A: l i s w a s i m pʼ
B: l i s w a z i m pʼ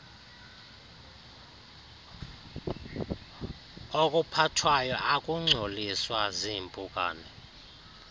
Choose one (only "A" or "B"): B